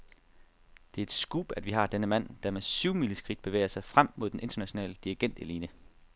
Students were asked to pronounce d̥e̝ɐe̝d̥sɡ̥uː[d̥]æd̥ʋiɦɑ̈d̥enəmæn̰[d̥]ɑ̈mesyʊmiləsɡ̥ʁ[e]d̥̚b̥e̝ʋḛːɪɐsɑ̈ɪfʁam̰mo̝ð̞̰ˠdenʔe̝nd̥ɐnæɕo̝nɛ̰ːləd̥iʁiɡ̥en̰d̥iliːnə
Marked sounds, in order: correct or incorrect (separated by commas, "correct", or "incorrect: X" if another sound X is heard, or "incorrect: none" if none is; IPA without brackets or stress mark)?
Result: incorrect: b̥, correct, incorrect: i